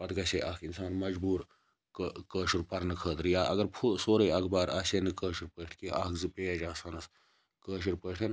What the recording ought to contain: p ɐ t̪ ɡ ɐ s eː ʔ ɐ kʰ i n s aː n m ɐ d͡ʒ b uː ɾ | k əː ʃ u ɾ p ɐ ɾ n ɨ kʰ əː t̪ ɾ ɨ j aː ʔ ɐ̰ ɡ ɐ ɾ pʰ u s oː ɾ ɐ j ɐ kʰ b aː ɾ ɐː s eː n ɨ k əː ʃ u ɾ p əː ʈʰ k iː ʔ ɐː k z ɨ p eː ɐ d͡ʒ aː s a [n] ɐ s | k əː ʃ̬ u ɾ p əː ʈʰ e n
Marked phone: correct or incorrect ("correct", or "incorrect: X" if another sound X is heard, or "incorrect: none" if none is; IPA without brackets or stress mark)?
correct